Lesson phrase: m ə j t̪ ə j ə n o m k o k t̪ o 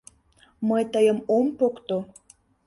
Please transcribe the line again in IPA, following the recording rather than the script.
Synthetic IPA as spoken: m ə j t̪ ə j ə m o m p o k t̪ o